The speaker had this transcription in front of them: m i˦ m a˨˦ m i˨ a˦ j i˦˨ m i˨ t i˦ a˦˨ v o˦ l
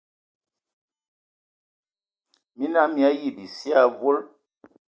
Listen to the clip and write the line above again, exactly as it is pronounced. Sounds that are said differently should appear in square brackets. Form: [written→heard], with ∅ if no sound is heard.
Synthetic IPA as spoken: m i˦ [m→n] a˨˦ m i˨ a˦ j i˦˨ [m→b] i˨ [t→s] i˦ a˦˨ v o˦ l